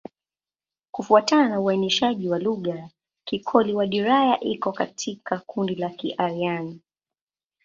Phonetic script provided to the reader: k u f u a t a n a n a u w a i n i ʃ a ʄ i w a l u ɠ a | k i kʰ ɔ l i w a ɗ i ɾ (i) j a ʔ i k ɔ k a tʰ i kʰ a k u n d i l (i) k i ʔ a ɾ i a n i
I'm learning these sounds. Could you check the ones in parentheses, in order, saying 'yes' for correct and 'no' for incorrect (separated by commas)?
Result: no, no